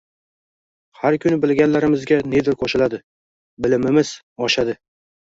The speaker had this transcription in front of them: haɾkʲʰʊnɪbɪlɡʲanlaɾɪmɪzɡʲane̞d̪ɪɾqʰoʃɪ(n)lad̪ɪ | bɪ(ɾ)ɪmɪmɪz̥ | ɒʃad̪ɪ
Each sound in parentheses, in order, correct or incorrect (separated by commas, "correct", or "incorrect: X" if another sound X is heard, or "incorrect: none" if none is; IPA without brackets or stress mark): incorrect: none, incorrect: l